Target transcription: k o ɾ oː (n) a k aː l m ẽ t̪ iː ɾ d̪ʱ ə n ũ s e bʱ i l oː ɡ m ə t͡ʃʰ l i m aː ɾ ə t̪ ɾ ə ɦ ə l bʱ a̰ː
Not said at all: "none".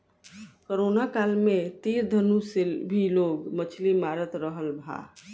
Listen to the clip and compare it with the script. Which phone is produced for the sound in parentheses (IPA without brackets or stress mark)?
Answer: n